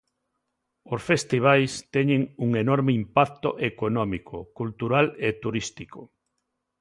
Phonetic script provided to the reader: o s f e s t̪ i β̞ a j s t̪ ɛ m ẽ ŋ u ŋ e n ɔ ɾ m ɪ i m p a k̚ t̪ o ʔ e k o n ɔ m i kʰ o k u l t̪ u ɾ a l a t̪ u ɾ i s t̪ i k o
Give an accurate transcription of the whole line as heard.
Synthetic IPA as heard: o s f e s t̪ i β̞ a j s t̪ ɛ ɲ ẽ ŋ u ŋ e n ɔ ɾ m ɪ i m p a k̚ t̪ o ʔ e k o n ɔ m i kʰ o k u l t̪ u ɾ a l e t̪ u ɾ i s t̪ i k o